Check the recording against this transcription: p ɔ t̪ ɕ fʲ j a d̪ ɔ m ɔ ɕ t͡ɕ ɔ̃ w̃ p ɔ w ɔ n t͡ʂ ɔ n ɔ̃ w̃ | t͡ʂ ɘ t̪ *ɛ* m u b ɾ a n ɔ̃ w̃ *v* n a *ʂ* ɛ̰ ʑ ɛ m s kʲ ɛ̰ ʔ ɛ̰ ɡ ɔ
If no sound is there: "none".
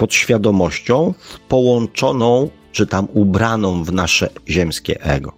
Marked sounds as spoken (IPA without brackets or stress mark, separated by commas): a, v, ʂ